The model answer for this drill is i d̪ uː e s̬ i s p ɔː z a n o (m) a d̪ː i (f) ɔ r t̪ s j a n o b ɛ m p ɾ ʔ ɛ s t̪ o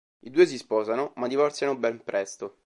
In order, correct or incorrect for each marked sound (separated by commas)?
correct, incorrect